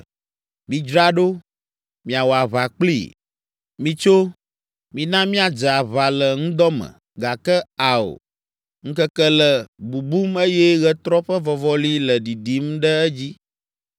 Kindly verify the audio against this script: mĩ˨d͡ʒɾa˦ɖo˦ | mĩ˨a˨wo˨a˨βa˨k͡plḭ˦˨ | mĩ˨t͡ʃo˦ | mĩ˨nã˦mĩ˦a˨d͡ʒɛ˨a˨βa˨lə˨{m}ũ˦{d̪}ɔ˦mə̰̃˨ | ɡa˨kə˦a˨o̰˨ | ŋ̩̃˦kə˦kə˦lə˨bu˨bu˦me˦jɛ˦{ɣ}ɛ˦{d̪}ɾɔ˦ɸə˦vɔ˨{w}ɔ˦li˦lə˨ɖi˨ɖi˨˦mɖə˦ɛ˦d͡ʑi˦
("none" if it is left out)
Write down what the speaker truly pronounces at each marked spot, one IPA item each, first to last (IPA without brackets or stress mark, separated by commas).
ŋ, d̪, ɣ, t̪, v